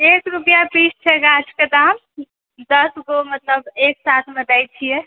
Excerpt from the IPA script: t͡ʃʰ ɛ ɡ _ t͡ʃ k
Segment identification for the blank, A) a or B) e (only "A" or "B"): A